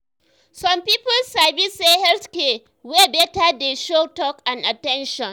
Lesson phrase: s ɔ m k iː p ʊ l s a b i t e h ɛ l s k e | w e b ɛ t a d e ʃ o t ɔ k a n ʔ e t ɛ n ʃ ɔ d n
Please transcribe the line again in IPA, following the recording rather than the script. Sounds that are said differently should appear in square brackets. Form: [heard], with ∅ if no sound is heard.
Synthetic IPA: s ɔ m [p] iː p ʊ l s a b i [s] e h ɛ l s k e | w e b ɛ t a d e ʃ o t ɔ k a n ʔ [a] t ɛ n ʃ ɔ [∅] n